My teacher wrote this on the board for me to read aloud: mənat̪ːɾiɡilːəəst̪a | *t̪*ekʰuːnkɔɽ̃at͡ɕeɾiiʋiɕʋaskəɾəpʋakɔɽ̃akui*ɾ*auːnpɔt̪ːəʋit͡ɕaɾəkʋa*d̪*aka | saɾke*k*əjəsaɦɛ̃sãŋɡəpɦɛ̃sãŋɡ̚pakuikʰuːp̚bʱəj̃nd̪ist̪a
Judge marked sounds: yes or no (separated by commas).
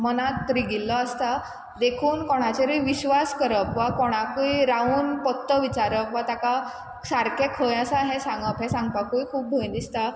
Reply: no, yes, no, no